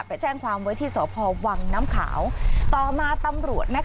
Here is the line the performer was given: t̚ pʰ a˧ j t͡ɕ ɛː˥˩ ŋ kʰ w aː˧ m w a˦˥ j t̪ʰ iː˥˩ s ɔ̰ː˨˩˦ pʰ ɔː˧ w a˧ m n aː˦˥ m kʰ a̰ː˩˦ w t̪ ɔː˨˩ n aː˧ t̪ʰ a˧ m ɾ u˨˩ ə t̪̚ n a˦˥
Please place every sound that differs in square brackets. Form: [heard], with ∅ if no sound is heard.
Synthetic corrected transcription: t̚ [p] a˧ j t͡ɕ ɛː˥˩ ŋ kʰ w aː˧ m w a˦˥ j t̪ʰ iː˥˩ s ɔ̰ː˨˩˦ pʰ ɔː˧ w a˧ [ŋ] n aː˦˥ m kʰ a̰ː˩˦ w t̪ ɔː˨˩ [m] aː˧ [t̪] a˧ m ɾ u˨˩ ə t̪̚ n a˦˥